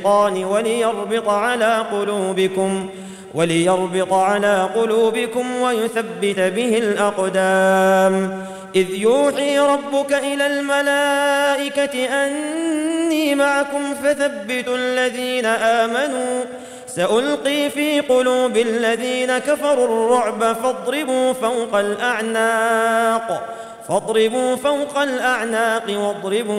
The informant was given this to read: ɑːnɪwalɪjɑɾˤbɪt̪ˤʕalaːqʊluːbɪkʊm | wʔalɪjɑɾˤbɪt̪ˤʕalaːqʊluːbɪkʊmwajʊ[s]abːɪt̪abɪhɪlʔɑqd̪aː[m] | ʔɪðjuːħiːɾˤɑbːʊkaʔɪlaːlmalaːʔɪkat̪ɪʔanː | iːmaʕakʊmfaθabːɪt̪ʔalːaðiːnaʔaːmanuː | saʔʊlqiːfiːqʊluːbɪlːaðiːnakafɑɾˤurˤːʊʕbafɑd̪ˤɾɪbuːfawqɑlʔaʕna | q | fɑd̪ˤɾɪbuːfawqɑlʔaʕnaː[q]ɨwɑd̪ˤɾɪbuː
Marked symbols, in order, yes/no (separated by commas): no, yes, yes